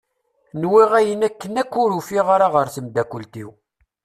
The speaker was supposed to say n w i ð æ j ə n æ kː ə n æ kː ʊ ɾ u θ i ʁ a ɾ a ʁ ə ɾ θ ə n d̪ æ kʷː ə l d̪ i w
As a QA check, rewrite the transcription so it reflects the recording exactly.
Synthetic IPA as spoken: n w i ʁ æ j ə n æ kː ə n æ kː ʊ ɾ u f i ʁ a ɾ a ʁ ə ɾ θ ə m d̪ æ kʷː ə l t̪ i w